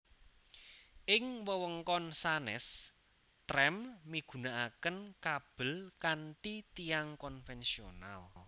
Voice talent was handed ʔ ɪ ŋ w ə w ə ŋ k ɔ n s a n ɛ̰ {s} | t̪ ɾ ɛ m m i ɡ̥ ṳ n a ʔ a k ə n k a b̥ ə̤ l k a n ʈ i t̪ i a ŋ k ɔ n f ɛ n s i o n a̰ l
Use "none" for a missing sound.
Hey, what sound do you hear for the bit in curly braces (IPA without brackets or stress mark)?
s